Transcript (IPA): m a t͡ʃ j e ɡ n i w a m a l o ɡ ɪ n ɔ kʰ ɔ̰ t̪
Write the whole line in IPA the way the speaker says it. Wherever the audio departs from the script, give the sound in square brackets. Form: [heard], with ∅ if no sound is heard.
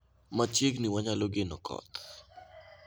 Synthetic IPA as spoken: m a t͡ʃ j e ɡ n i w a [ɲ] a l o ɡ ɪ n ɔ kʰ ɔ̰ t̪

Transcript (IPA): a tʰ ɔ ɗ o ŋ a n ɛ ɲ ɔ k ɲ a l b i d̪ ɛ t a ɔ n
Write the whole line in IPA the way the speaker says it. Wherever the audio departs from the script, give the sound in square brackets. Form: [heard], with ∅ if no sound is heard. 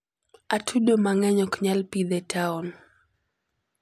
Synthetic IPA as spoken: a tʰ [u] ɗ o [m] a [ŋ] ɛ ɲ ɔ k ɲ a l [p] i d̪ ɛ t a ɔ n

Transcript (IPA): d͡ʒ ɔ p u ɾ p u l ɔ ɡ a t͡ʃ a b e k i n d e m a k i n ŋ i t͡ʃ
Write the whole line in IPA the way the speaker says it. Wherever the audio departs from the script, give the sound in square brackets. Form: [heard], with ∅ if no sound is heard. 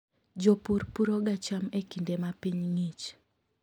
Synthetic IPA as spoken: d͡ʒ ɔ p u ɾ p u [ɾ] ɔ ɡ a t͡ʃ a [m] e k i n d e m a [p] i [ɲ] ŋ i t͡ʃ

